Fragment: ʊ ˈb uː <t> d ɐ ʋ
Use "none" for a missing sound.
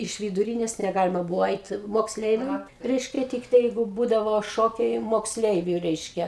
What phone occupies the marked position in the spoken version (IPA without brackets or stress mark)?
none